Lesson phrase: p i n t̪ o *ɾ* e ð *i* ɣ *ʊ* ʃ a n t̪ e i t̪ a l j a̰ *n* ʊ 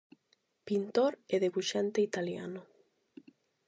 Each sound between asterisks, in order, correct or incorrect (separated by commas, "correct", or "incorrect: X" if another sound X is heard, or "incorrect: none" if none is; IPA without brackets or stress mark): correct, incorrect: e, incorrect: u, correct